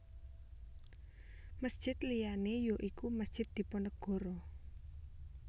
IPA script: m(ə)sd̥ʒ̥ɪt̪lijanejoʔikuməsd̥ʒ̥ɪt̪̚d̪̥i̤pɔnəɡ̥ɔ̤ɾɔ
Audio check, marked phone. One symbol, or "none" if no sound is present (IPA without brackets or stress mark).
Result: ə